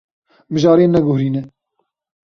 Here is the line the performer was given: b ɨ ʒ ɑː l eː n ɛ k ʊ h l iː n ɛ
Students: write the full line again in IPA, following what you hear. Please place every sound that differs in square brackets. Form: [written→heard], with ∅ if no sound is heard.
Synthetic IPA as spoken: [b→m] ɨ ʒ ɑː [l→ɾ] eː n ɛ [k→ɡ] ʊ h [l→ɾ] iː n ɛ